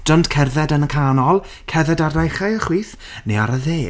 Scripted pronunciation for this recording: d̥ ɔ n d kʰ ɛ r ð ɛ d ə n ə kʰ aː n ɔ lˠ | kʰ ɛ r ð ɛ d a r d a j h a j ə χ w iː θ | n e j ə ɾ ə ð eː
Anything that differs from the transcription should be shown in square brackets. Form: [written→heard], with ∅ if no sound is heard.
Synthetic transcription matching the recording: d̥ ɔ n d kʰ ɛ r ð ɛ d ə n ə kʰ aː n ɔ lˠ | kʰ ɛ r ð ɛ d a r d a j [h→χ] a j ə χ w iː θ | n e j [ə→a] ɾ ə ð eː